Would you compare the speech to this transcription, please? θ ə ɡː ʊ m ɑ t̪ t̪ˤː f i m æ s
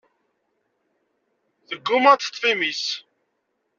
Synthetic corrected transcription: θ ə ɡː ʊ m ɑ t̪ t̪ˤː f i m i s